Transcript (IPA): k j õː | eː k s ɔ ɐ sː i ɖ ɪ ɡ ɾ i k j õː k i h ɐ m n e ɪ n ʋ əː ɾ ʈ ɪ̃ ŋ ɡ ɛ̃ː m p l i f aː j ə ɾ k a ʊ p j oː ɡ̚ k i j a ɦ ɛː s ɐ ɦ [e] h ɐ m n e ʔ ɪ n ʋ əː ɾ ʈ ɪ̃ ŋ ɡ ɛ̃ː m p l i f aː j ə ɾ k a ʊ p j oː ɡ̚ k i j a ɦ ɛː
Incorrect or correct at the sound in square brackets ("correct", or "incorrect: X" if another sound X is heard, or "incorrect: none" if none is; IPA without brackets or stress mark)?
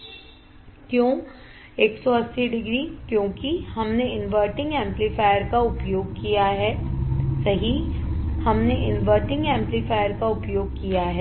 incorrect: i